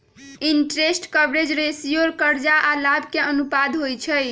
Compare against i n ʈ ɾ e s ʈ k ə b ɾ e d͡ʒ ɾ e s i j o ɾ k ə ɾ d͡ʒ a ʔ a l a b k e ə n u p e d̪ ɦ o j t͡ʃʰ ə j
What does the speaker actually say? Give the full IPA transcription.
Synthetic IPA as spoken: i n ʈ ɾ e s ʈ k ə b ɾ e d͡ʒ ɾ e s i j o ɾ k ə ɾ d͡ʒ a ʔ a l a b k e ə n u p a d̪ ɦ o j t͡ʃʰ ə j